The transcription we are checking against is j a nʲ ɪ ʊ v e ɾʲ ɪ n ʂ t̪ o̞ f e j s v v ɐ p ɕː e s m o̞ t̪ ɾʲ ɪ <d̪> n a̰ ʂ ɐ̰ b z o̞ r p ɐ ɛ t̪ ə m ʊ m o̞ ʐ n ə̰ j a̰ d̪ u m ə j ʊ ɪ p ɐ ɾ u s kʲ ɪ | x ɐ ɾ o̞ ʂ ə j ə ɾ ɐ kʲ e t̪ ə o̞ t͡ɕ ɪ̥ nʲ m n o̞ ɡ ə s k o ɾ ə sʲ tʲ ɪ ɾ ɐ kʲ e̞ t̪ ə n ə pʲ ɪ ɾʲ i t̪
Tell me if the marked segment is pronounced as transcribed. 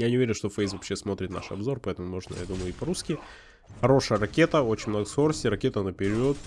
no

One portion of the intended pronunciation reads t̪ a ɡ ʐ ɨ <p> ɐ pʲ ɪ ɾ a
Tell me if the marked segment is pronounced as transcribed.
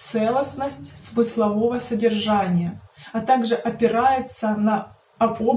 no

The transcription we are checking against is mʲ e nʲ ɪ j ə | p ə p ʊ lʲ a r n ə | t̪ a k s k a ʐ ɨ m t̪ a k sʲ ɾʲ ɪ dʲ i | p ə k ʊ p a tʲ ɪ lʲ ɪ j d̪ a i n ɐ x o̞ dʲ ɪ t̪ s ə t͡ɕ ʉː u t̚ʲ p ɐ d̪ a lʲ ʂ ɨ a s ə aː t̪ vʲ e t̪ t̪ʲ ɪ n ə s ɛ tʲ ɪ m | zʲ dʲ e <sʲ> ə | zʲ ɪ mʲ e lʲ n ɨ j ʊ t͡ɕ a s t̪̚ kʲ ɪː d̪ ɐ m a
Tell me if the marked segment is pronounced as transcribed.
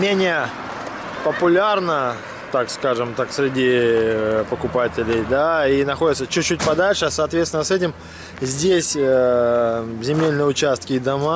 yes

